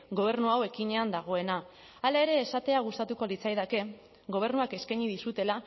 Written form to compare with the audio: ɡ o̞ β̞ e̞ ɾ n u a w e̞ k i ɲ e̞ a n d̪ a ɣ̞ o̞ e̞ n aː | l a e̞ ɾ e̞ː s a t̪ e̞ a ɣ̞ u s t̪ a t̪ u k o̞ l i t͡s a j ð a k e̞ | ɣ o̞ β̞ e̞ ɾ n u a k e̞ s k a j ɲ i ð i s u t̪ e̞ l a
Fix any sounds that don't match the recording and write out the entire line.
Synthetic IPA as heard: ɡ o̞ β̞ e̞ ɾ n u a w e̞ k i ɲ e̞ a n d̪ a ɣ̞ o̞ e̞ n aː | l a e̞ ɾ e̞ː s a t̪ e̞ a ɣ̞ u s t̪ a t̪ u k o̞ l i t͡s a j ð a k e̞ | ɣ o̞ β̞ e̞ ɾ n u a k e̞ s k a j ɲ i ð i s u t̪ e̞ l a